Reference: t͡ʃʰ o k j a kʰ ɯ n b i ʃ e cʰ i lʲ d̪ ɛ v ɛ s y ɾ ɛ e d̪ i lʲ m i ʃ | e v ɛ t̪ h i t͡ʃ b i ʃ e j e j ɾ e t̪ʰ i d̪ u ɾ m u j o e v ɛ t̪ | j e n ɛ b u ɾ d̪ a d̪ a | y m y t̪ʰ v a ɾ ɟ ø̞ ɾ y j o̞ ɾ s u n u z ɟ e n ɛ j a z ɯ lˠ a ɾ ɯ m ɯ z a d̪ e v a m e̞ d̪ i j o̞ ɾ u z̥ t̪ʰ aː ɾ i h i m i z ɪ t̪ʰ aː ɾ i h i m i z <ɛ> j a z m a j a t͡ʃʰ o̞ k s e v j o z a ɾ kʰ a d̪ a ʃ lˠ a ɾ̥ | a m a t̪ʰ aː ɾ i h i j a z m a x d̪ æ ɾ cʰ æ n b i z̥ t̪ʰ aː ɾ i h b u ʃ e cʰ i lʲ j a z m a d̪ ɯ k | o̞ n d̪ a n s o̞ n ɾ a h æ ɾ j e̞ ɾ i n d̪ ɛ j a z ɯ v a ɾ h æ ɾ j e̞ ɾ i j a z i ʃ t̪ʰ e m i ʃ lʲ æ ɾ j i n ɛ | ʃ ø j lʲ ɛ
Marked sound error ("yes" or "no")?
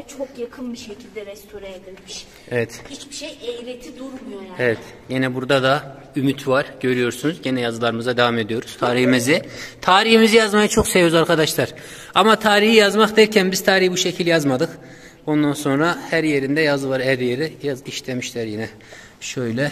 yes